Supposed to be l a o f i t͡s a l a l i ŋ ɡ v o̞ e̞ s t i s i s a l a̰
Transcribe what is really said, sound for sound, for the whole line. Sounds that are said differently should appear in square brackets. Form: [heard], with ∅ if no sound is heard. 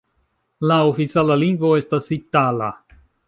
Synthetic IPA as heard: l a o f i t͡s a l a l i ŋ ɡ v o̞ e̞ s t [a] s i [t] a l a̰